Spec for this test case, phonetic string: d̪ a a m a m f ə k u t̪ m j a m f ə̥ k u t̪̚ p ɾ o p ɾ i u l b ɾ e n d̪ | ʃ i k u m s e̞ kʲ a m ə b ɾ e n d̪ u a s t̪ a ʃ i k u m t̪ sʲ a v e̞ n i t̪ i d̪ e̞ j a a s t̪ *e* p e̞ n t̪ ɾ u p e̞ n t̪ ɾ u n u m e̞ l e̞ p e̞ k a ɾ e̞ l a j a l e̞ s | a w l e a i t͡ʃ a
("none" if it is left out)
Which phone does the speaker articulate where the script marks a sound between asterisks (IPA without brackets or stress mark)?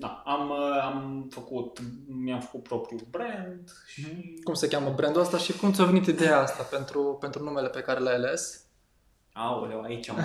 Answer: a